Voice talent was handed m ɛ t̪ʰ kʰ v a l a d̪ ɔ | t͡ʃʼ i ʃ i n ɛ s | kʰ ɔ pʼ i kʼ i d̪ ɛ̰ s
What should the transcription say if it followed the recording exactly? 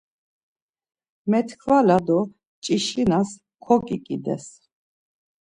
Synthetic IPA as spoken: m ɛ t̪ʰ kʰ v a l a d̪ ɔ | t͡ʃʼ i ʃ i n a s | kʰ ɔ kʼ i kʼ i d̪ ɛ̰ s